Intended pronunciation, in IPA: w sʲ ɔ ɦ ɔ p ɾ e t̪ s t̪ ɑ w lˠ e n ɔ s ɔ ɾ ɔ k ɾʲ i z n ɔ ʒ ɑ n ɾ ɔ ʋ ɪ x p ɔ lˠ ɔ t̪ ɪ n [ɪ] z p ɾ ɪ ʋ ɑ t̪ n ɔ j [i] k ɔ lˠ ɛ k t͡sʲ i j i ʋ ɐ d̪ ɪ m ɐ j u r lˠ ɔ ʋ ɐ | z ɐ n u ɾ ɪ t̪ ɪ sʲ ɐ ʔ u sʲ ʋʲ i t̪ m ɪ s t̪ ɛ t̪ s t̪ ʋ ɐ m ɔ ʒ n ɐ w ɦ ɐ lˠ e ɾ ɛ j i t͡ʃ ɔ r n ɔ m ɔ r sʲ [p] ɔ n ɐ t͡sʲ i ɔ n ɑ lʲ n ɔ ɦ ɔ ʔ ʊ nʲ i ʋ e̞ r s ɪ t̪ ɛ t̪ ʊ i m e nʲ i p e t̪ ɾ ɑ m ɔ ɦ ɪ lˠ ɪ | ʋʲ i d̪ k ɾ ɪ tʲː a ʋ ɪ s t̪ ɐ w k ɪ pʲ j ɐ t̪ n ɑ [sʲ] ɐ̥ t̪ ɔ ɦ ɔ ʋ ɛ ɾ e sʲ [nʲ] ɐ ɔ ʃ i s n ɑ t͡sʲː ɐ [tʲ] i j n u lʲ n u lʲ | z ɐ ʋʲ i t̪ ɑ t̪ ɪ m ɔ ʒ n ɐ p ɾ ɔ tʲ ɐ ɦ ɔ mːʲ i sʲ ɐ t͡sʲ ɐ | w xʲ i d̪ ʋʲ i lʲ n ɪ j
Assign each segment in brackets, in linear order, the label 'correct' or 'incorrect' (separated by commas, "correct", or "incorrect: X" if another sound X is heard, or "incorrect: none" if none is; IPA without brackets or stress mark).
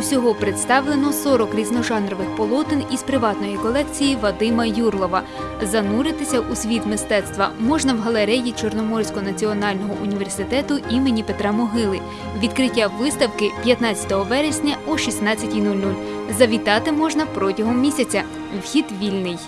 incorrect: i, correct, incorrect: k, incorrect: t͡sʲ, correct, correct